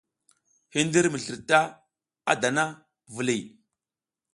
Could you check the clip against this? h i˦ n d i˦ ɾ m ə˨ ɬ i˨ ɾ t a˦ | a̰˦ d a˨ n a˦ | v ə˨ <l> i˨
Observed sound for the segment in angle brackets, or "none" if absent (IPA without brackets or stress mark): l